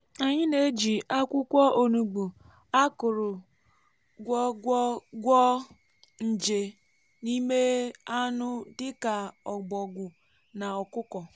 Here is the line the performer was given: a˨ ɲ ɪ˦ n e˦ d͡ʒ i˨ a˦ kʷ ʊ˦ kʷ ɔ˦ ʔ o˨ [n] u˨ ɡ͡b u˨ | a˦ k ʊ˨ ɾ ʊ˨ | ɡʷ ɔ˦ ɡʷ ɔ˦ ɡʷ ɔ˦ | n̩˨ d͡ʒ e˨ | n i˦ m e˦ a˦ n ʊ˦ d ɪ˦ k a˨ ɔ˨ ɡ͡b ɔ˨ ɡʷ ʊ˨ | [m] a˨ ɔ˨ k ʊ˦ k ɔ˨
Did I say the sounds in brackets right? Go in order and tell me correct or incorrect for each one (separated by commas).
correct, incorrect